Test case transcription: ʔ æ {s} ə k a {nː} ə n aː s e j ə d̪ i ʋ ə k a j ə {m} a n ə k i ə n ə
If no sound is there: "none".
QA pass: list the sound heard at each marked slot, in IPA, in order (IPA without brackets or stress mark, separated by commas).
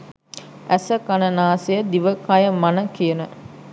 s, n, m